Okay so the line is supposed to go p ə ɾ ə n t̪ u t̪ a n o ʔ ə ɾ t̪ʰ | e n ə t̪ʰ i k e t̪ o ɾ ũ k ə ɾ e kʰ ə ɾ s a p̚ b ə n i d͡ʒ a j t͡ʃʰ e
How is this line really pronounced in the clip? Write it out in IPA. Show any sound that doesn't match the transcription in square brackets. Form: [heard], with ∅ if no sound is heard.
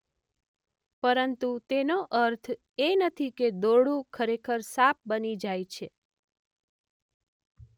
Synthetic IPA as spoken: p ə ɾ ə n t̪ u t̪ [e] n o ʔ ə ɾ t̪ʰ | e n ə t̪ʰ i k e [d̪] o [ɽ] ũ [kʰ] ə ɾ e kʰ ə ɾ s a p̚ b ə n i d͡ʒ a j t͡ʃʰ e